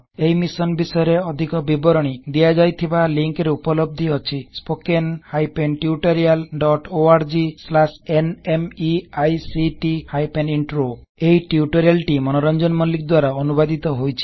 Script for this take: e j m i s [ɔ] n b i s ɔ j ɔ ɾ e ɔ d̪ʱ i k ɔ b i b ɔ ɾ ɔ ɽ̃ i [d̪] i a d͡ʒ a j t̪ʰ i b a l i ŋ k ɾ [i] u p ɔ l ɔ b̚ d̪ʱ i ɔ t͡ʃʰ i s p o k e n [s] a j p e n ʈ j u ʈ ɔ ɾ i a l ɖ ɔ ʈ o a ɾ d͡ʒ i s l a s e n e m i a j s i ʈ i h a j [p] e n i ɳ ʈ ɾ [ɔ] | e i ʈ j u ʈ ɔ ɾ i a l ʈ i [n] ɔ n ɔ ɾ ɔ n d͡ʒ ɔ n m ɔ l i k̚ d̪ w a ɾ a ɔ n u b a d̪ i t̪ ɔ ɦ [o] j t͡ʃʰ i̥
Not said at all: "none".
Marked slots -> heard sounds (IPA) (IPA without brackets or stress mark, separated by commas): ɔ, d̪, e, h, p, o, m, o